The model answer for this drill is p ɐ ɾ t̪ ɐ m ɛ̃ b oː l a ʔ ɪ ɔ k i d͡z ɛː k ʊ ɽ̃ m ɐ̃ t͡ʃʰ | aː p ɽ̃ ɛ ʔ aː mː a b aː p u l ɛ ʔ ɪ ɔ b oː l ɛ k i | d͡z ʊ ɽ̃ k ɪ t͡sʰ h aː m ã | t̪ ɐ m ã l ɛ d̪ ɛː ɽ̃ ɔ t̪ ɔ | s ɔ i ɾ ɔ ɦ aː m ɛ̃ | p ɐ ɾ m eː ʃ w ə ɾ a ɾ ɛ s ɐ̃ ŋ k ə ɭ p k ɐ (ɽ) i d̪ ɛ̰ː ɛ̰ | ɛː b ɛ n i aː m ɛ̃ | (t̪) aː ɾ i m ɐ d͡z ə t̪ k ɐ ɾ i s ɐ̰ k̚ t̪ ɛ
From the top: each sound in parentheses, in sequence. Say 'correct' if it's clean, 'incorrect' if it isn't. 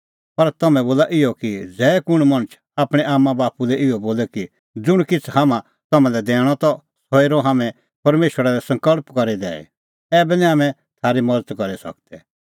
incorrect, incorrect

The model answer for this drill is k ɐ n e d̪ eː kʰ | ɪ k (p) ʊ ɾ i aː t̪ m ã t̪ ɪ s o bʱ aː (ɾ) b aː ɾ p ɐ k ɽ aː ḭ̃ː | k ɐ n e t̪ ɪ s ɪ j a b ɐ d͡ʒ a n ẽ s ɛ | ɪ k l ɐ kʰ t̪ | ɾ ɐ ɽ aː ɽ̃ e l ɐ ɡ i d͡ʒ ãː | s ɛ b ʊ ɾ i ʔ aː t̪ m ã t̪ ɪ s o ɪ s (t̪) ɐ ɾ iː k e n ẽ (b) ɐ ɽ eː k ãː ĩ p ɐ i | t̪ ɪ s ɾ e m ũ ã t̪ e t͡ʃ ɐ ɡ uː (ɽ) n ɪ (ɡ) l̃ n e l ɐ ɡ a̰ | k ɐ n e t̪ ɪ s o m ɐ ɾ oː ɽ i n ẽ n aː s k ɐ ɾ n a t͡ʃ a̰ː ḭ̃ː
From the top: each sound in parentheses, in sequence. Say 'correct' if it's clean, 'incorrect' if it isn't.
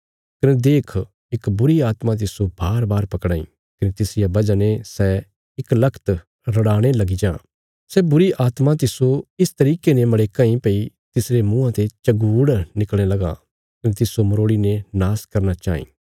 incorrect, correct, correct, incorrect, correct, incorrect

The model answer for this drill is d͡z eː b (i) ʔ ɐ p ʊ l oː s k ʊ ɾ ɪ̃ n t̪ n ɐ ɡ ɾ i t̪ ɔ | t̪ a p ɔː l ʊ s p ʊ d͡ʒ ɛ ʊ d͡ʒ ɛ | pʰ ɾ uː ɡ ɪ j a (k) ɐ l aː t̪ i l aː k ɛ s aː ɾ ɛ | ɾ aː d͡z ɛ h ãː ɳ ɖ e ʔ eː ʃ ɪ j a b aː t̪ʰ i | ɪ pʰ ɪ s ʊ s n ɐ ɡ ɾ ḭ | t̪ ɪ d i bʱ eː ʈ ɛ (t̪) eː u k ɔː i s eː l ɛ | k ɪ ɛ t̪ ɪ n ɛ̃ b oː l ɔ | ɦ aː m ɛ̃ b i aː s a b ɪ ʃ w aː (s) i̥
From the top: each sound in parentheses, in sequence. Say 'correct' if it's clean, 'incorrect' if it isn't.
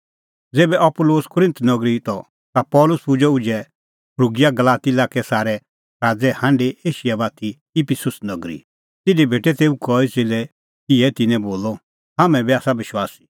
incorrect, incorrect, correct, correct

